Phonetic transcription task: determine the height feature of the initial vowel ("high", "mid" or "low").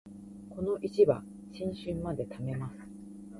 mid